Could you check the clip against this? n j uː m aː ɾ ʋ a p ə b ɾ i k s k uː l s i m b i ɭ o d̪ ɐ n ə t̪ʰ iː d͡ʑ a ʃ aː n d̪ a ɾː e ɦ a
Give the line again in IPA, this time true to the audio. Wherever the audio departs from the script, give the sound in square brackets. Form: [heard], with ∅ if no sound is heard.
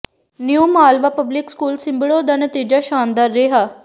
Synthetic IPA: n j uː m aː [l] ʋ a p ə b [l] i k s k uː l s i m b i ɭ o d̪ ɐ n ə [t̪] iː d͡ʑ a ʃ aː n d̪ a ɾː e ɦ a